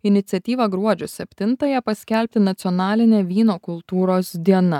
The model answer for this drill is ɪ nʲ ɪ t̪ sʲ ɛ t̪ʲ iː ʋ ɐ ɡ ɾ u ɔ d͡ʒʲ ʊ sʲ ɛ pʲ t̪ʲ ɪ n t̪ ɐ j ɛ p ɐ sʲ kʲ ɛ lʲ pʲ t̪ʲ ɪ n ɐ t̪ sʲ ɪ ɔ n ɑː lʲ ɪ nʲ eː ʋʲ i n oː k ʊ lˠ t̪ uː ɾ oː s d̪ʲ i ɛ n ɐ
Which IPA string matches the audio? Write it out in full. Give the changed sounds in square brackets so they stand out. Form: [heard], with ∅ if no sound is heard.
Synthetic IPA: ɪ nʲ ɪ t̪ sʲ ɛ t̪ʲ iː ʋ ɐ ɡ ɾ u ɔ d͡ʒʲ ʊ sʲ ɛ pʲ t̪ʲ ɪ n t̪ ɐ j ɛ p ɐ sʲ kʲ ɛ lʲ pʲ t̪ʲ ɪ n ɐ t̪ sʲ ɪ ɔ n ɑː lʲ ɪ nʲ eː ʋʲ [iː] n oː k ʊ lˠ t̪ uː ɾ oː s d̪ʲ i ɛ n ɐ

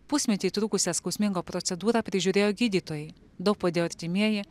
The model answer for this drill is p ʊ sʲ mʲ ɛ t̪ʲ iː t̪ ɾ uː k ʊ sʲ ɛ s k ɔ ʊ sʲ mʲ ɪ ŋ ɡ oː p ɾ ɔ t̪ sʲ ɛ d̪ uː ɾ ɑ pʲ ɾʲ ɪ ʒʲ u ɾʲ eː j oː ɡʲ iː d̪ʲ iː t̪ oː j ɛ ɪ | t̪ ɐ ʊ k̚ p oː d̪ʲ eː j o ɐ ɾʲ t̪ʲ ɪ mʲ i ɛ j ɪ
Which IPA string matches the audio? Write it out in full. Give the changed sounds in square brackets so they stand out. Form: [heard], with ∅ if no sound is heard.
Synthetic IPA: p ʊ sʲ mʲ ɛ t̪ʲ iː t̪ ɾ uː k ʊ sʲ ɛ s k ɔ ʊ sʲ mʲ ɪ ŋ ɡ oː p ɾ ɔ t̪ sʲ ɛ d̪ uː ɾ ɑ pʲ ɾʲ ɪ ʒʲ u ɾʲ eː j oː ɡʲ iː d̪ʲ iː t̪ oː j ɛ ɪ | [d̪] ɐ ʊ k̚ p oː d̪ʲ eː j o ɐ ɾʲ t̪ʲ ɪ mʲ i ɛ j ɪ

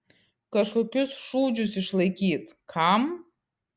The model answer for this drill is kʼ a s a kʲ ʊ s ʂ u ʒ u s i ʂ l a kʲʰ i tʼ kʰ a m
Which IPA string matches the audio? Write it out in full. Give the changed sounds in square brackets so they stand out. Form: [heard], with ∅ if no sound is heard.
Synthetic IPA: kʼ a [ʂ] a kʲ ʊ s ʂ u [d͡ʒ] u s i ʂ l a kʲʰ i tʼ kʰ a m

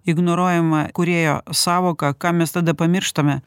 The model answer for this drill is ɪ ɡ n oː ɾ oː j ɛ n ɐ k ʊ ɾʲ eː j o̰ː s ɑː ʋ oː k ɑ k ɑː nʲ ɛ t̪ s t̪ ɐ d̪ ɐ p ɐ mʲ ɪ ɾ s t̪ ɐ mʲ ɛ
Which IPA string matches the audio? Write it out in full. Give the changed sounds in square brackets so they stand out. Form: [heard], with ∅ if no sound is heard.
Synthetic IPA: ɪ ɡ n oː ɾ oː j ɛ [m] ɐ k ʊ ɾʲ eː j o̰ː s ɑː ʋ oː k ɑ k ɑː [mʲ] ɛ [∅] s t̪ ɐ d̪ ɐ p ɐ mʲ ɪ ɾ [ʃ] t̪ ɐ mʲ ɛ

